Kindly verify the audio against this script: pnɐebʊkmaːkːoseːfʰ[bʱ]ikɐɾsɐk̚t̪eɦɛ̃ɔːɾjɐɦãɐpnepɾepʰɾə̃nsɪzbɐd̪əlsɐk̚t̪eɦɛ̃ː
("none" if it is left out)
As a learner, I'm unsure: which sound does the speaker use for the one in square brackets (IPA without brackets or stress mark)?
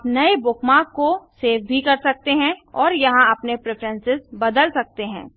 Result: bʱ